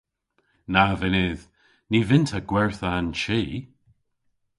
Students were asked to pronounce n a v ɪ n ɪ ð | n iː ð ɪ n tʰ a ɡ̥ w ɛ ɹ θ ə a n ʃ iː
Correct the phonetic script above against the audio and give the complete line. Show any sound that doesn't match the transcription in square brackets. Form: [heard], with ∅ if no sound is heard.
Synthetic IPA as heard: n a v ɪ n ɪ ð | n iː [v] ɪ n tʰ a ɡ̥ w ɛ ɹ θ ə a n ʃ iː